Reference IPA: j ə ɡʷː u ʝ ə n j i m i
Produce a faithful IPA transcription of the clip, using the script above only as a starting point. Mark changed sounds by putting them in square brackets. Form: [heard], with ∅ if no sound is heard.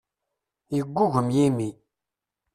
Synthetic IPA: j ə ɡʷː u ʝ ə [m] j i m i